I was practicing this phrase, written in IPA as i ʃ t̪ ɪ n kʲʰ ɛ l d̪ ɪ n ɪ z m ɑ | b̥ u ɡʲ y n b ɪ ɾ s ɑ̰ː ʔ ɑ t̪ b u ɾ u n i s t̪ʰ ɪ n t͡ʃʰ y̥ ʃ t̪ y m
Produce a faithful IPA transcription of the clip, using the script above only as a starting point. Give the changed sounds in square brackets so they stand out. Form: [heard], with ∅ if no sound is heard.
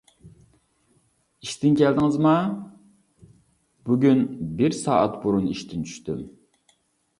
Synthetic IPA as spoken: i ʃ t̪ ɪ n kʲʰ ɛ l d̪ ɪ [ŋ] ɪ z m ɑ | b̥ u ɡʲ y n b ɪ ɾ s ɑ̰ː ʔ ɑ t̪ b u ɾ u n i [ʃ] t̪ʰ ɪ n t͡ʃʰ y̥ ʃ t̪ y m